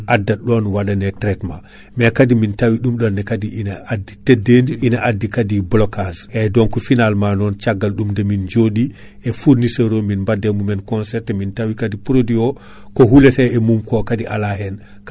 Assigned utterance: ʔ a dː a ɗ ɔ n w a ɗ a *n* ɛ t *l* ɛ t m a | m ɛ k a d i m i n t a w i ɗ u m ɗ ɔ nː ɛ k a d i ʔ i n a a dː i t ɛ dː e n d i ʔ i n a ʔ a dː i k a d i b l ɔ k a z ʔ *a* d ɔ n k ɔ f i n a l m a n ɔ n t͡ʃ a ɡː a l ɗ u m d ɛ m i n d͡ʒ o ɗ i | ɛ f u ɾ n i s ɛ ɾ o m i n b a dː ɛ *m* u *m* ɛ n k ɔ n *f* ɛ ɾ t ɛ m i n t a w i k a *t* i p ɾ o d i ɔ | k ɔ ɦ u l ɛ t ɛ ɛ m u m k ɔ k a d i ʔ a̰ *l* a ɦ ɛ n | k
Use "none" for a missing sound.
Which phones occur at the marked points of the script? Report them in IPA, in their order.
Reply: n, ɾ, ɛ, m, m, s, d, l

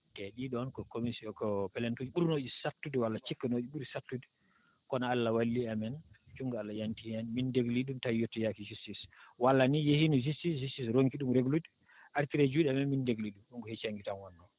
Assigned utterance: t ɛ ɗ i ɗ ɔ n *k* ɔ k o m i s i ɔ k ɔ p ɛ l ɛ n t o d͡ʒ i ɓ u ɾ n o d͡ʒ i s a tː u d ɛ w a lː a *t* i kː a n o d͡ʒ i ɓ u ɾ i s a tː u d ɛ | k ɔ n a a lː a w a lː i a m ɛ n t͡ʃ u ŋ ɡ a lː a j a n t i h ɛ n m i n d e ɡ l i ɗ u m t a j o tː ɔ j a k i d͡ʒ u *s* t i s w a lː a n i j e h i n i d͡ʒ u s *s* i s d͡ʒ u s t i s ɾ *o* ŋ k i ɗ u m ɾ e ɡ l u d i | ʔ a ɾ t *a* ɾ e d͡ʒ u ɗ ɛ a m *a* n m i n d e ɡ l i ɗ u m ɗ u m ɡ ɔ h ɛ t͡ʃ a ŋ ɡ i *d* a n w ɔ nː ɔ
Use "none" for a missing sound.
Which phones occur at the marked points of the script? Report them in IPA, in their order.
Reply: k, t͡ʃ, s, t, o, i, ɛ, t

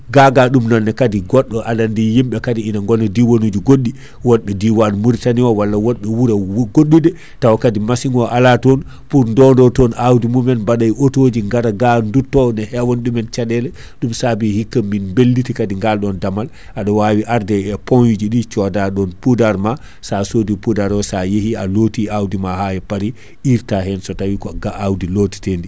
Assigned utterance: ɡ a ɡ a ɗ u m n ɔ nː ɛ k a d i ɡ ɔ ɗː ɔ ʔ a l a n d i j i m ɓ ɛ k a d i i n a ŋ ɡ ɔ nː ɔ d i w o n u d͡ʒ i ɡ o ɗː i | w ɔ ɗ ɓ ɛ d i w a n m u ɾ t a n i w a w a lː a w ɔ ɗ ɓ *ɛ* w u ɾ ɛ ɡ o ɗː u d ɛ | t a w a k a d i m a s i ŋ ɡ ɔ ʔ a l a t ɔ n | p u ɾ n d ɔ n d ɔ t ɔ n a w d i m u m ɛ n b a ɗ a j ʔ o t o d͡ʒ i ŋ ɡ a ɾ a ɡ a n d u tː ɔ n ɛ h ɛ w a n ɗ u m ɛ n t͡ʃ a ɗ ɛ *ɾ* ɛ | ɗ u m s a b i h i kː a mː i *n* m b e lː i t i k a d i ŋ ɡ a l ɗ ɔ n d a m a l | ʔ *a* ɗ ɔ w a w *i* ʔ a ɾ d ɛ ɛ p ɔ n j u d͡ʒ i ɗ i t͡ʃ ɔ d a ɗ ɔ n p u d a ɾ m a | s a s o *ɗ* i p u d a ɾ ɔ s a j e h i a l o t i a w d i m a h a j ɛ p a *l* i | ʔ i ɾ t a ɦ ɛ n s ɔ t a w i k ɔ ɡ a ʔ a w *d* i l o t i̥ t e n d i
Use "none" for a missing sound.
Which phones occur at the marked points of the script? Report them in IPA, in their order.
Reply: ɛ, l, n, a, i, d, ɾ, d

